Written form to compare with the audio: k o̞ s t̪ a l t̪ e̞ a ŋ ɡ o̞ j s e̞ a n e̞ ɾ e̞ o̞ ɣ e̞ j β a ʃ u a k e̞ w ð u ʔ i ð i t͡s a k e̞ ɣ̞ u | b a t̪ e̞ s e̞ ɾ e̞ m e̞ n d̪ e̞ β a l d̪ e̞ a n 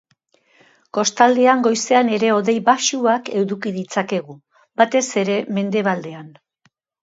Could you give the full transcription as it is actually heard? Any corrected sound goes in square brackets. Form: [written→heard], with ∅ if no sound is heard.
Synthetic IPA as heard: k o̞ s t̪ a l [t̪→d̪] e̞ a ŋ ɡ o̞ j s e̞ a n e̞ ɾ e̞ o̞ [ɣ→ð] e̞ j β a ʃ u a k e̞ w ð u [ʔ→k] i ð i t͡s a k e̞ ɣ̞ u | b a t̪ e̞ s e̞ ɾ e̞ m e̞ n d̪ e̞ β a l d̪ e̞ a n